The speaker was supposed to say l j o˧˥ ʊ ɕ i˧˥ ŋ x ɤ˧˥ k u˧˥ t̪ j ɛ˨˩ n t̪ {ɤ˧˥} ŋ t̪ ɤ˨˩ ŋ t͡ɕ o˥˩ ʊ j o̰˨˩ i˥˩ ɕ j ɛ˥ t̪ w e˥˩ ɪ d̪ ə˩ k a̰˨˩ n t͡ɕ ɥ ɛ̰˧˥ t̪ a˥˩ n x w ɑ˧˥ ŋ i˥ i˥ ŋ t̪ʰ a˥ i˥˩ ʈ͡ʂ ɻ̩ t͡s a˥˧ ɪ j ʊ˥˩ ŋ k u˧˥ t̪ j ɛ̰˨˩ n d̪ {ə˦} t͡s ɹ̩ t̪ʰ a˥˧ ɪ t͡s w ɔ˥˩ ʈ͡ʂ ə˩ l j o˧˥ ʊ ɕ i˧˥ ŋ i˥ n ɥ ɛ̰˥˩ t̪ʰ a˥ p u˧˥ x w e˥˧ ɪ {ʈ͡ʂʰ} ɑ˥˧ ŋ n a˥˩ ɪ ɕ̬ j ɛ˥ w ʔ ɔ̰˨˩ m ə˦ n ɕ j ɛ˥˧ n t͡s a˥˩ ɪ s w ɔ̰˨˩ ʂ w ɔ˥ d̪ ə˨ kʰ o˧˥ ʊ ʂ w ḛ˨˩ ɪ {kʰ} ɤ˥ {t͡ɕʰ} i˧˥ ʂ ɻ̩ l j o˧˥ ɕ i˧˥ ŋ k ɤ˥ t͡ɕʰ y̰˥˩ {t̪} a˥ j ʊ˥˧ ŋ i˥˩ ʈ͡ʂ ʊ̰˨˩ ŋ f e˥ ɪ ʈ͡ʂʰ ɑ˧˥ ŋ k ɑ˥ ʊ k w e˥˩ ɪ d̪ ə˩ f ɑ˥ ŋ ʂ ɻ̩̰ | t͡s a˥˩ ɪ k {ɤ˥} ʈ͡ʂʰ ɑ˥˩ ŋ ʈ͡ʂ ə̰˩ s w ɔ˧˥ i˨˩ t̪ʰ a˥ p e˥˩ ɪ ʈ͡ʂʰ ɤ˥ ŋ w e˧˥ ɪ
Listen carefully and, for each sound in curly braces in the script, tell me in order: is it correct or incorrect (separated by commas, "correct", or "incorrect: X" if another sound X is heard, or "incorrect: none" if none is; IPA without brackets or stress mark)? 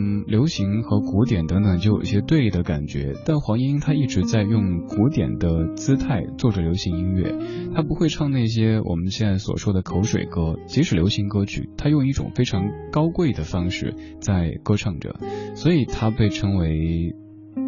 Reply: correct, correct, correct, incorrect: k, incorrect: t͡ɕ, incorrect: t̪ʰ, correct